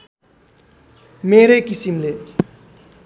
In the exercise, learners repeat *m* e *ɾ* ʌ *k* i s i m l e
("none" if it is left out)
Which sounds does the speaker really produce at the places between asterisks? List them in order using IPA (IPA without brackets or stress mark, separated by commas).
m, ɾ, k